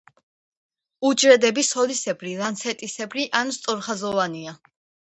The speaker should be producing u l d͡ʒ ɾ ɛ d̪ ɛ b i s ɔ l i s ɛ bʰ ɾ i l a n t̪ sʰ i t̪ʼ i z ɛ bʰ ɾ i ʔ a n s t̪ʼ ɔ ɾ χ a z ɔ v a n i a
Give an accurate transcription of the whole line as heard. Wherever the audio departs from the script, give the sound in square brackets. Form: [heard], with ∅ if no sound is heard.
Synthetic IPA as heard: u [∅] d͡ʒ ɾ ɛ d̪ ɛ b i s ɔ l i s ɛ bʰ ɾ i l a n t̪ sʰ [ɛ] t̪ʼ i [s] ɛ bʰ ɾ i ʔ a n s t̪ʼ ɔ ɾ χ a z ɔ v a n i a